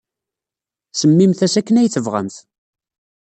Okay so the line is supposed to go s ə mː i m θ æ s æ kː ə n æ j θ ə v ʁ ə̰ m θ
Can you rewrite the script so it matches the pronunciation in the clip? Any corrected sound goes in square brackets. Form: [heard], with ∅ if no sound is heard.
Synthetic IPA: s ə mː i m θ æ s æ kː ə n æ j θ ə v ʁ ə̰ m θ